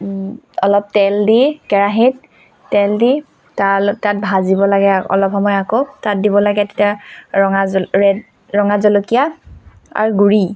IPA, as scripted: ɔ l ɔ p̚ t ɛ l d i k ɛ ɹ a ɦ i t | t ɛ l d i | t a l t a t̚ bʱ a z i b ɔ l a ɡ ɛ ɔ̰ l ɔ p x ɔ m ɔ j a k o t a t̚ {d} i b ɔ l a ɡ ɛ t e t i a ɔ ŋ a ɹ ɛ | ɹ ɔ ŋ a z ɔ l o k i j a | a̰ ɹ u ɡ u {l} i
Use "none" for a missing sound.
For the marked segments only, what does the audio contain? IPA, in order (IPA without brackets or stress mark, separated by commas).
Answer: d, ɹ